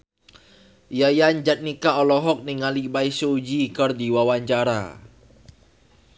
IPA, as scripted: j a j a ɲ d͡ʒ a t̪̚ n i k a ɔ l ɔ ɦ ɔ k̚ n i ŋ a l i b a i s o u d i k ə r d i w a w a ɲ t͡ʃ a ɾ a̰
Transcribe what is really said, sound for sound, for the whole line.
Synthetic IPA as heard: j a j a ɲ d͡ʒ a t̪̚ n i k a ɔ l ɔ ɦ ɔ k̚ n i ŋ a l i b a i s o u d͡ʒ i k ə r d i w a w a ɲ t͡ʃ a ɾ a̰